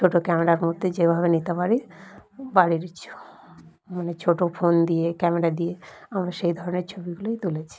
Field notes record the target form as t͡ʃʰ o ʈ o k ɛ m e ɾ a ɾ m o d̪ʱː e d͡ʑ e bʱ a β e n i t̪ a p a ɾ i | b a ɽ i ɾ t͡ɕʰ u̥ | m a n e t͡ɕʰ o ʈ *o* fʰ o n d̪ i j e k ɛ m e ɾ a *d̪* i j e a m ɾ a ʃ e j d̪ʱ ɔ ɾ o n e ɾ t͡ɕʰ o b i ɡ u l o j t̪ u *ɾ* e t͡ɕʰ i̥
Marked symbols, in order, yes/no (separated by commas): yes, yes, no